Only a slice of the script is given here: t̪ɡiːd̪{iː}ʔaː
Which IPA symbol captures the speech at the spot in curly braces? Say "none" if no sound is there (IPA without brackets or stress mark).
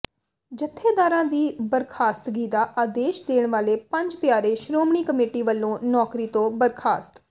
aː